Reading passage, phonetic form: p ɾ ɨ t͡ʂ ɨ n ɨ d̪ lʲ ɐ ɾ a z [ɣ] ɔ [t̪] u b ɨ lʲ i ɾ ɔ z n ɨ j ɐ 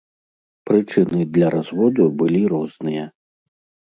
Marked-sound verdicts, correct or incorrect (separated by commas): incorrect, incorrect